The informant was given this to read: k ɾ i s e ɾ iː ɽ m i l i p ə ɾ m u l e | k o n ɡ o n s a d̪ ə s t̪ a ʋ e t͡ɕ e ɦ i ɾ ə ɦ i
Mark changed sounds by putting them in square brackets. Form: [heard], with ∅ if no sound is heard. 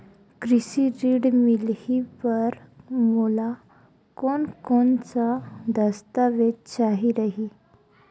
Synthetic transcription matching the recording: k ɾ i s [i] ɾ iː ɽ m i l i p ə ɾ m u l [a] | k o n [k] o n [t͡s] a d̪ ə s t̪ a ʋ e t͡ɕ [a] ɦ i ɾ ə ɦ i